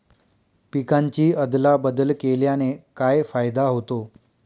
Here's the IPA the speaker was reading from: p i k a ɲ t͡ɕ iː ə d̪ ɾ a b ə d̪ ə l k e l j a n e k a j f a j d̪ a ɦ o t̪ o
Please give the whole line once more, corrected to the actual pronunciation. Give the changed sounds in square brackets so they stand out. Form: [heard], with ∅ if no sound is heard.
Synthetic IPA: p i k a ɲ t͡ɕ iː ə d̪ [l] a b ə d̪ ə l k e l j a n e k a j f a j d̪ a ɦ o t̪ o